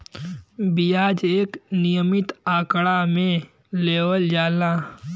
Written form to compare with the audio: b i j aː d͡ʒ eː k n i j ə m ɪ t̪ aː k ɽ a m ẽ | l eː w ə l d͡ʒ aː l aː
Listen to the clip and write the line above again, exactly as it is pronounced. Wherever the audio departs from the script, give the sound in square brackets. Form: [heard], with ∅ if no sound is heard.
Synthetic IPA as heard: b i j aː d͡ʒ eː k n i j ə m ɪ t̪ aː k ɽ a m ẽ | l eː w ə l d͡ʒ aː l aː